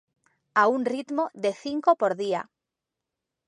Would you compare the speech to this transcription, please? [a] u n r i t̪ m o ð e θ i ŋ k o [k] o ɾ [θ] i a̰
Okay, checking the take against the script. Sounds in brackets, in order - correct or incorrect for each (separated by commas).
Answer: correct, incorrect, incorrect